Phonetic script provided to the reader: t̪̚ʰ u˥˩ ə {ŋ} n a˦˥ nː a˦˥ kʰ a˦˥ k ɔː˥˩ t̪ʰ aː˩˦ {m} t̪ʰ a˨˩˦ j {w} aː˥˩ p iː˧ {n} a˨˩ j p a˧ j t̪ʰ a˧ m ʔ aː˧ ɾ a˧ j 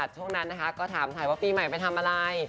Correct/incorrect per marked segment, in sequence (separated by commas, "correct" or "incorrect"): correct, correct, correct, incorrect